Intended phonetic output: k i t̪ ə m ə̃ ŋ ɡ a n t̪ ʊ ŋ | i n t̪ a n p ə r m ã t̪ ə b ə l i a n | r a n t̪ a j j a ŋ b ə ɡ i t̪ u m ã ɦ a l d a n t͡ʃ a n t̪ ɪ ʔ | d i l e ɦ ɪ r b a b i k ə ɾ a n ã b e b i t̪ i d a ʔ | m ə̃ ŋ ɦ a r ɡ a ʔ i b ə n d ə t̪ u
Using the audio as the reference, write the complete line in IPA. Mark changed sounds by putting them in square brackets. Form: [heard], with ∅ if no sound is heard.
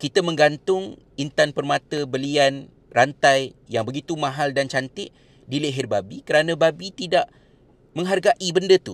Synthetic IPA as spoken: k i t̪ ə m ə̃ ŋ ɡ a n t̪ ʊ ŋ | i n t̪ a n p ə r m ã t̪ ə b ə l i a n | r a n t̪ a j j a ŋ b ə ɡ i t̪ u m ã ɦ a l d a n t͡ʃ a n t̪ ɪ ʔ | d i l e ɦ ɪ r b a b i k ə ɾ a n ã b [a] b i t̪ i d a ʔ | m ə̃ ŋ ɦ a r ɡ a ʔ i b ə n d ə t̪ u